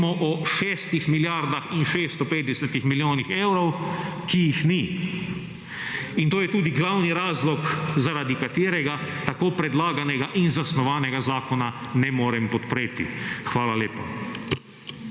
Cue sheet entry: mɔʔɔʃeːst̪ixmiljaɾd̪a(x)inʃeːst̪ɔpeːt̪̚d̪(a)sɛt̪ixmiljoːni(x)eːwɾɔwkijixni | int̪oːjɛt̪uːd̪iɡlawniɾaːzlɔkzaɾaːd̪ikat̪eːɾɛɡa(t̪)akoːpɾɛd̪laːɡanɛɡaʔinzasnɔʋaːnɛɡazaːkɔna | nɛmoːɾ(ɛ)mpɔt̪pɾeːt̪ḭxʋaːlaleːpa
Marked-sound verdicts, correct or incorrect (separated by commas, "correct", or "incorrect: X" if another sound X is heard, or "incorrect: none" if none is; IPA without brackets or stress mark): correct, incorrect: ɛ, correct, correct, correct